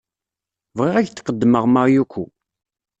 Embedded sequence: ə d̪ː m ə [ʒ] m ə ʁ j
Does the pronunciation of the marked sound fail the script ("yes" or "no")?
yes